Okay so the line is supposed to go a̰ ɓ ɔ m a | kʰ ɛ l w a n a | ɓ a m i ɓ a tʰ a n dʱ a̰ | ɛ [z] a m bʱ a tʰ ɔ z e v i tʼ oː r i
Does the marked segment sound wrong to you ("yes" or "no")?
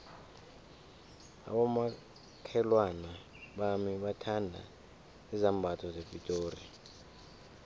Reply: no